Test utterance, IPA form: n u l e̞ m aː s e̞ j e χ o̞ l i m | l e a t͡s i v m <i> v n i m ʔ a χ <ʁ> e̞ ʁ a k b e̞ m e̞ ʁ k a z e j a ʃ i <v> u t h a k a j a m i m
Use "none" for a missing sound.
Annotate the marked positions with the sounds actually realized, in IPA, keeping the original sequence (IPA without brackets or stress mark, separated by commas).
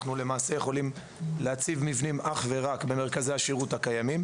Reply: i, v, ʁ